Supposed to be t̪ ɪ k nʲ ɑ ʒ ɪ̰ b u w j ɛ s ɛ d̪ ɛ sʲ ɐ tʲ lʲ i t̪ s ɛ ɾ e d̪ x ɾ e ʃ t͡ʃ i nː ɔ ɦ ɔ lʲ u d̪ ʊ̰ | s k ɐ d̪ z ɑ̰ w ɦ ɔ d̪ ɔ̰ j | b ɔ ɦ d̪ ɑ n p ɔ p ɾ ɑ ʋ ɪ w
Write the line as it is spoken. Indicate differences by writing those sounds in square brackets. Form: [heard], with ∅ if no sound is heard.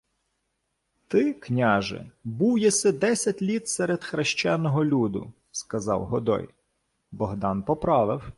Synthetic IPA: t̪ ɪ k nʲ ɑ ʒ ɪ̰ b u w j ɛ s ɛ d̪ ɛ sʲ ɐ tʲ lʲ i t̪ s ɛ ɾ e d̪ x ɾ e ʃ t͡ʃ [ɛ] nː ɔ ɦ ɔ lʲ u d̪ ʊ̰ | s k ɐ [∅] z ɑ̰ w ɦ ɔ d̪ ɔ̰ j | b ɔ ɦ d̪ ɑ n p ɔ p ɾ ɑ ʋ ɪ w